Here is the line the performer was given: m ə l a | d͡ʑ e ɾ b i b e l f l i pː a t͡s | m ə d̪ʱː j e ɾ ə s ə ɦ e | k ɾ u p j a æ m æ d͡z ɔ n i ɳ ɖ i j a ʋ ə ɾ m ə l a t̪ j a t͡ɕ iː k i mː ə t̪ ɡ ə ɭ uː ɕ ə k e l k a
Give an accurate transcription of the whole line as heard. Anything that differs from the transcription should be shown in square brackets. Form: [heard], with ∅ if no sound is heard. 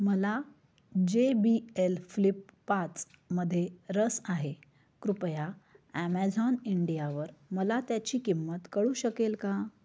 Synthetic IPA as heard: m ə l a | d͡ʑ e [∅] b i [∅] e l f l i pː a t͡s | m ə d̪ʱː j e ɾ ə s [a] ɦ e | k ɾ u p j a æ m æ d͡z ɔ n i ɳ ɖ i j a ʋ ə ɾ m ə l a t̪ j a t͡ɕ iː k i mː ə t̪ [k] ə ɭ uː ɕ ə k e l k a